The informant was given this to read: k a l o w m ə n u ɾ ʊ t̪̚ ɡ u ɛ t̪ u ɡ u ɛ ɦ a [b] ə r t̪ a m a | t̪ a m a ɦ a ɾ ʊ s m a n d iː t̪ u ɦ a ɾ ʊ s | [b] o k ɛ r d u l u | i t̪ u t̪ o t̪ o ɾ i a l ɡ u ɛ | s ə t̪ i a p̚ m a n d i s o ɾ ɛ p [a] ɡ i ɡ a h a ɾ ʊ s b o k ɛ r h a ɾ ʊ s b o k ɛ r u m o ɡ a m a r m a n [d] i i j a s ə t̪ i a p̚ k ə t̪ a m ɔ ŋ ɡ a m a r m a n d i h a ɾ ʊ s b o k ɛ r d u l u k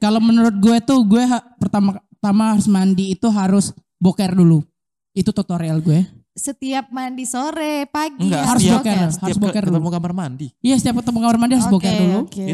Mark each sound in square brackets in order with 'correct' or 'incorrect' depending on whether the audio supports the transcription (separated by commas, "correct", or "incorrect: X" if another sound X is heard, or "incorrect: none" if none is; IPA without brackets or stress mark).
incorrect: p, correct, correct, correct